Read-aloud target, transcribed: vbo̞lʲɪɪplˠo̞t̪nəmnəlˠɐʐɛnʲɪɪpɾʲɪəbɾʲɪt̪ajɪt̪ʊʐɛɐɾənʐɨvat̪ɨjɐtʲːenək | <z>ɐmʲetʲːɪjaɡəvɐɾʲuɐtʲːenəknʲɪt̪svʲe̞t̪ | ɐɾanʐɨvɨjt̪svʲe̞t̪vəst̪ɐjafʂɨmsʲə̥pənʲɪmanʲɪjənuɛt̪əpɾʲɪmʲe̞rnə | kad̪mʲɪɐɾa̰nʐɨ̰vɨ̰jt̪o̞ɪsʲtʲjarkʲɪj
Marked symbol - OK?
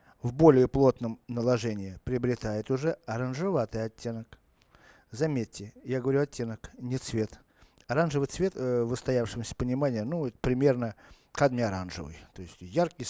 yes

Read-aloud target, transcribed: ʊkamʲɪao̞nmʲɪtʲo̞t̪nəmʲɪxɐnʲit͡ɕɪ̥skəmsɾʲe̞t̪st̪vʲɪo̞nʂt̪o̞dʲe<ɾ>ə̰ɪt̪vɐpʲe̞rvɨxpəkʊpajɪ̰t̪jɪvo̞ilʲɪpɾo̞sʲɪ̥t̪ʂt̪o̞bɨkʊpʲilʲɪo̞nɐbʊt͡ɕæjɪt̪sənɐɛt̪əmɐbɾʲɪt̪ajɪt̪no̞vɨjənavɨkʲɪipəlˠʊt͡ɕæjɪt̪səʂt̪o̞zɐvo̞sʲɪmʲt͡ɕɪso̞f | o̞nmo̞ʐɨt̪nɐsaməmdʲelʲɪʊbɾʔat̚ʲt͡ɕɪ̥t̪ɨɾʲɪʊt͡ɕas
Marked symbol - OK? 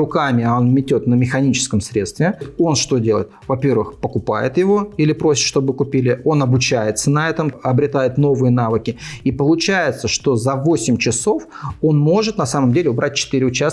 no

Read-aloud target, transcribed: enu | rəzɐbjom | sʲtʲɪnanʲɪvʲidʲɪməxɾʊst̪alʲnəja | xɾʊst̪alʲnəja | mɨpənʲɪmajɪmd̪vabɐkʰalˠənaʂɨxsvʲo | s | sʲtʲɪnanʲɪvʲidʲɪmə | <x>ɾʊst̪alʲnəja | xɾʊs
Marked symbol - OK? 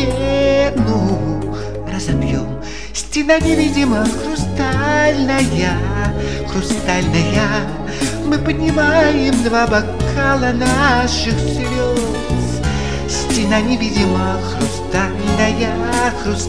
yes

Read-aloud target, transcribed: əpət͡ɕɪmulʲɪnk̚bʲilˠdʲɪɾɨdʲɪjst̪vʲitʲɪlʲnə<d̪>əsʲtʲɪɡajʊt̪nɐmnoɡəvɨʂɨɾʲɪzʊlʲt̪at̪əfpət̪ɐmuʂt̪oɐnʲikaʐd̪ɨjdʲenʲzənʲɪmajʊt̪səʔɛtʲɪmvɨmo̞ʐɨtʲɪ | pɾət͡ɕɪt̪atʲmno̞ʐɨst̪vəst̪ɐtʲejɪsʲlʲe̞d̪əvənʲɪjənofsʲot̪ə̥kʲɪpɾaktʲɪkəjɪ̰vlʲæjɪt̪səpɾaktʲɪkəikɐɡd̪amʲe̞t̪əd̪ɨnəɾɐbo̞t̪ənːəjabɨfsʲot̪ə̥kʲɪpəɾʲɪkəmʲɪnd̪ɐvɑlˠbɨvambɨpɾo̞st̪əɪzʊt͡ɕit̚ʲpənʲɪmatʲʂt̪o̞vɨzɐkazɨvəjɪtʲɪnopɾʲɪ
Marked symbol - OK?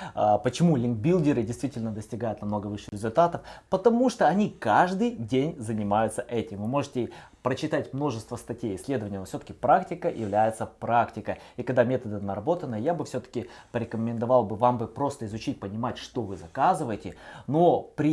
yes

